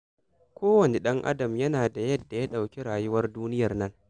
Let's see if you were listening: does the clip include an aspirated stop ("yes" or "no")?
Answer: no